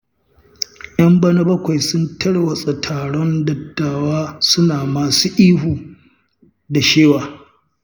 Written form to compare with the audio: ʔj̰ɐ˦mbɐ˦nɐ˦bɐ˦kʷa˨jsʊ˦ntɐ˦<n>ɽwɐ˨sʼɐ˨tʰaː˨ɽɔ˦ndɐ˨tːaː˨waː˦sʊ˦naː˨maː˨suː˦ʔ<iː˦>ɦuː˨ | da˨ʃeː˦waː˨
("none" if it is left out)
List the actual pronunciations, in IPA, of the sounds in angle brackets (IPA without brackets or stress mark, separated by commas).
none, iː˦